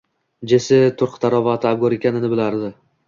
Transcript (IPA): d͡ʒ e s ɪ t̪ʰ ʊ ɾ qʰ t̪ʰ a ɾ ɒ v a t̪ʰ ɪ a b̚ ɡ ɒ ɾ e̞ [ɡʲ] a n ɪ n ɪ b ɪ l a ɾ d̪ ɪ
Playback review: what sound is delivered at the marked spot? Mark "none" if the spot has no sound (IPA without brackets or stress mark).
kʲ